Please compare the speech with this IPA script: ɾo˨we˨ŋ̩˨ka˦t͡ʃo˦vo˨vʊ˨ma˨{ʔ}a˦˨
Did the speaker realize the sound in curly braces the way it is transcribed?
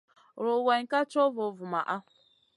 yes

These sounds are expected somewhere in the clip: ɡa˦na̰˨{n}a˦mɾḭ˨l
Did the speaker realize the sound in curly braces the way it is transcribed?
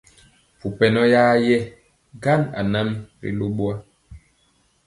yes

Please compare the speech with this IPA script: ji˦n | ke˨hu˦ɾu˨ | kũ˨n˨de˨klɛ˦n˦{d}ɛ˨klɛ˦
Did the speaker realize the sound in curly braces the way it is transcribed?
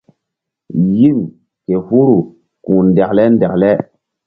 yes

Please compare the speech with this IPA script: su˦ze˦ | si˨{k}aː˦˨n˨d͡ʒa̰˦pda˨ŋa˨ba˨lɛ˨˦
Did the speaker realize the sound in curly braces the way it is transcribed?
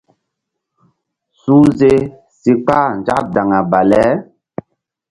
no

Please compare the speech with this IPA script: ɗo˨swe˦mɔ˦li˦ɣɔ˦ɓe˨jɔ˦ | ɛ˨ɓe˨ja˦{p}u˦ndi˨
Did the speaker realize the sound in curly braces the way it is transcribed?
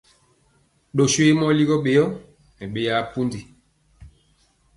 yes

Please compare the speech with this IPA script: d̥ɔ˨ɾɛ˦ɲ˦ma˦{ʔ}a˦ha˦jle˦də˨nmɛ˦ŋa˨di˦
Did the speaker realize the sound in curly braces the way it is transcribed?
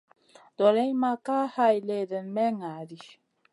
no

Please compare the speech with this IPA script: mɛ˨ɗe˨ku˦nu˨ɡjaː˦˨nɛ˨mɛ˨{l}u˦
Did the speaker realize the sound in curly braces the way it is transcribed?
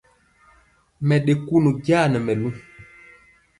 yes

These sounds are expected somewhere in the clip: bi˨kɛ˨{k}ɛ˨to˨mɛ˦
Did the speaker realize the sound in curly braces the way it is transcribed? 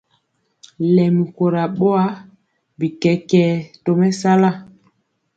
yes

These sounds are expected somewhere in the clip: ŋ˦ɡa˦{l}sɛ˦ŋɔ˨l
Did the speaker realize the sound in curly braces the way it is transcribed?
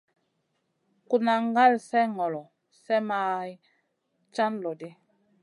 yes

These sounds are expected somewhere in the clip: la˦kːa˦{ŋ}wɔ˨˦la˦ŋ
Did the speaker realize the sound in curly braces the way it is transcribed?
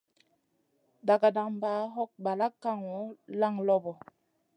yes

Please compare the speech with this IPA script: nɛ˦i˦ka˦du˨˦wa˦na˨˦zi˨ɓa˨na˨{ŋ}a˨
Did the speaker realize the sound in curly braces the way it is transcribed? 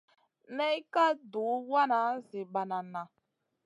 no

